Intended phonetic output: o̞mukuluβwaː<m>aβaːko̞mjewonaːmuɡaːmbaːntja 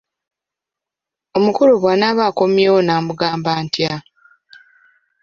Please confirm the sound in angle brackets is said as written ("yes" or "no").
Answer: no